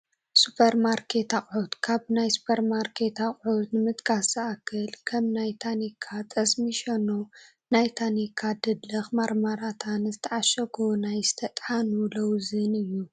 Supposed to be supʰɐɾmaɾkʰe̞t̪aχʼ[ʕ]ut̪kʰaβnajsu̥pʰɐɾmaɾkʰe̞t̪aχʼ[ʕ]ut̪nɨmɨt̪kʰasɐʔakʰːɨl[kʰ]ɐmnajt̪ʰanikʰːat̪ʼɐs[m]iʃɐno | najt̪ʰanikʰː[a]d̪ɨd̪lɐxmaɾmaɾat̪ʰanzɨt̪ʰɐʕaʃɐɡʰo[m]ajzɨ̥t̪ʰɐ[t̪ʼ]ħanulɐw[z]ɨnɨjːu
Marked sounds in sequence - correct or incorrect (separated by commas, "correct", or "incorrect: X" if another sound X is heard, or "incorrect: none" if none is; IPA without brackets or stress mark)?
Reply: correct, correct, correct, correct, correct, incorrect: n, correct, correct